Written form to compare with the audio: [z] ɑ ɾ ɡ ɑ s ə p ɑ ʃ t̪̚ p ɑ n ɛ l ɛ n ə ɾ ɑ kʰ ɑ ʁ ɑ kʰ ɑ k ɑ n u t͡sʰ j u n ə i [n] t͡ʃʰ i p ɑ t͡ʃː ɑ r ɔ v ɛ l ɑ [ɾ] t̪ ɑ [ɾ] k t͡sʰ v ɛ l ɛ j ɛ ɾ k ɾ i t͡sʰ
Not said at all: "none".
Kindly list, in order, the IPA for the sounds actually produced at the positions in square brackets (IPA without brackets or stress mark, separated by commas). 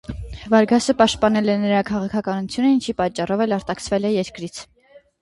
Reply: v, n, ɾ, none